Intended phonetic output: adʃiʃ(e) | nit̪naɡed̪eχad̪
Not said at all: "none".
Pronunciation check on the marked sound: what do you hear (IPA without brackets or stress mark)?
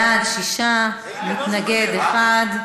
a